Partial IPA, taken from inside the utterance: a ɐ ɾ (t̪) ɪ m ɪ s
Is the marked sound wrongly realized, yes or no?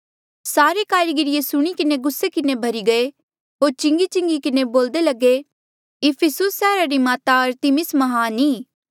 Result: no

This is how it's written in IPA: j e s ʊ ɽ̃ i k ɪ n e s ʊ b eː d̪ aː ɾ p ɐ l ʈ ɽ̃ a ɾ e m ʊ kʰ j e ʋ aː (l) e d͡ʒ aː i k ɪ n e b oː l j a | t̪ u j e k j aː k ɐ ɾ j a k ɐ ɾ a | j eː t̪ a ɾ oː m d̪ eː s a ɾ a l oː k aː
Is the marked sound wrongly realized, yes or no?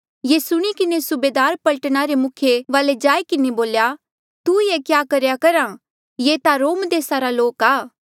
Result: no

